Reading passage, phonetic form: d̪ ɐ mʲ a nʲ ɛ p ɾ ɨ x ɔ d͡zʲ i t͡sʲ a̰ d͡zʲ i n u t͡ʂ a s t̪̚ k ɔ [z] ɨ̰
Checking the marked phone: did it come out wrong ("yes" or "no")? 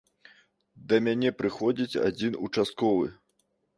yes